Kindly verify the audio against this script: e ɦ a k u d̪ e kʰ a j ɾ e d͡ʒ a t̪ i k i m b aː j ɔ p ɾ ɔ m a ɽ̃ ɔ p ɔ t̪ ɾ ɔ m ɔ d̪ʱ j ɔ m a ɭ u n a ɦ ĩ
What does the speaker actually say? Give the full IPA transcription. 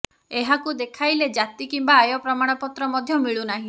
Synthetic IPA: e ɦ a k u d̪ e kʰ a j l e d͡ʒ a t̪ i k i m b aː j ɔ p ɾ ɔ m a ɽ̃ ɔ p ɔ t̪ ɾ ɔ m ɔ d̪ʱ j ɔ m i ɭ u n a ɦ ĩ